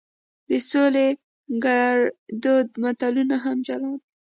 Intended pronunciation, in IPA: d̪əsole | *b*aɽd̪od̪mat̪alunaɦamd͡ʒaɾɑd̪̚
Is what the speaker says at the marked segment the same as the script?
no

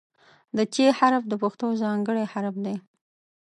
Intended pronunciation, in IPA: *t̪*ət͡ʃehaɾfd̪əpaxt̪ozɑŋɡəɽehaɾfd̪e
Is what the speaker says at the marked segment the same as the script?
no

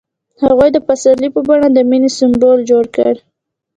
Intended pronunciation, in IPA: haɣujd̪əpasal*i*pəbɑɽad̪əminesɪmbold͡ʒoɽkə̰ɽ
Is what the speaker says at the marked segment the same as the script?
yes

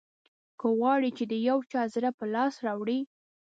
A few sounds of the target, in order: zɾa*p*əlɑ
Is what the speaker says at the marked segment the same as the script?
yes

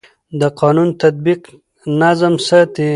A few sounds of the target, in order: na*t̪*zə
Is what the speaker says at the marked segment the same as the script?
no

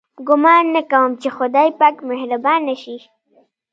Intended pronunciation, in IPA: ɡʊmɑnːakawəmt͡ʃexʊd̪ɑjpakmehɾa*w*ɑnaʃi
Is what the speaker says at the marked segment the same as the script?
no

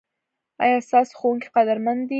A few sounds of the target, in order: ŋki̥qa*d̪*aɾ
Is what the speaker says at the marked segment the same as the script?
yes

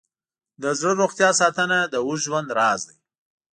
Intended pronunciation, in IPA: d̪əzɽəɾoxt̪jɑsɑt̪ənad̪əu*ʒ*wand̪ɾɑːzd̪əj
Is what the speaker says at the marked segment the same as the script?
yes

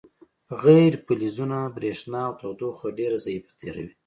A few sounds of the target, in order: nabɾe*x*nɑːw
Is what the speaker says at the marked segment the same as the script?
no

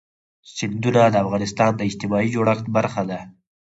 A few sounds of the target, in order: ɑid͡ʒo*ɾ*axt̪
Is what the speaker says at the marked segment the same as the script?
no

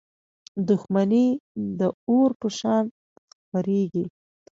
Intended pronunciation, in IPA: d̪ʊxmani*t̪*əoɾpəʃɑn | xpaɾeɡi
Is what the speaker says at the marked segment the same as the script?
no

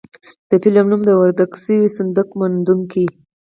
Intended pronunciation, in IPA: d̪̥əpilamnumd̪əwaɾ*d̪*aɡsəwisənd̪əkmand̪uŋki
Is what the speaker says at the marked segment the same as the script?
yes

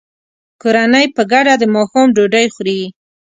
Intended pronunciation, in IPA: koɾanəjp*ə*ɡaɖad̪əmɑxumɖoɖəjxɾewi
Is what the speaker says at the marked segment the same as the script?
yes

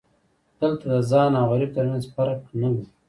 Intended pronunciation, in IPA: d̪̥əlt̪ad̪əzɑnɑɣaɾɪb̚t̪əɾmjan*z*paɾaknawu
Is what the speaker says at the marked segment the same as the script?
yes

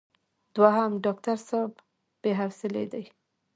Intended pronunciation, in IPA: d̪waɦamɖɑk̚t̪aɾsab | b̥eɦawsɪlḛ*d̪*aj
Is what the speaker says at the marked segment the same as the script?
yes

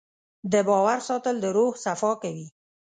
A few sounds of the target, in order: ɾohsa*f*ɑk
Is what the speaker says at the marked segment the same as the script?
yes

